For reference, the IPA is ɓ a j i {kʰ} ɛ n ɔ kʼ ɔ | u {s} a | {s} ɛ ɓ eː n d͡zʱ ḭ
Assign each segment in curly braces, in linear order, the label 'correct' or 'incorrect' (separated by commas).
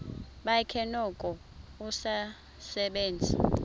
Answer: correct, correct, correct